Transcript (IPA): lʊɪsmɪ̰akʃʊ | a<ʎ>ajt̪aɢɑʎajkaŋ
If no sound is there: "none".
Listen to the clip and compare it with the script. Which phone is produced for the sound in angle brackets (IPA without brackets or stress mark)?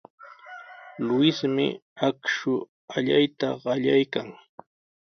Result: ʎ